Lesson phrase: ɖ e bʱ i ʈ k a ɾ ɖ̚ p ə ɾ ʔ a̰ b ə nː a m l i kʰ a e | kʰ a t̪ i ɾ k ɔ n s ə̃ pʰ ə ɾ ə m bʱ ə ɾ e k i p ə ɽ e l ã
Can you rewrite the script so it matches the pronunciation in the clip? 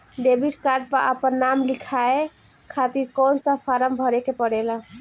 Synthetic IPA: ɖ e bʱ i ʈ k a ɾ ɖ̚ p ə ɾ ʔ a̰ p ə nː a m l i kʰ a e | kʰ a t̪ i ɾ k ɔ n s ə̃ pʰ a ɾ ə m bʱ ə ɾ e k e p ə ɽ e l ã